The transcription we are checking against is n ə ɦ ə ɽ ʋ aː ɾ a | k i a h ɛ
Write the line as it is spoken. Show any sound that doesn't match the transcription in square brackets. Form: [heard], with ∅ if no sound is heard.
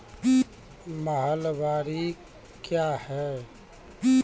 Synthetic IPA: [m] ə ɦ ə [l] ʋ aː ɾ [i] | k [j] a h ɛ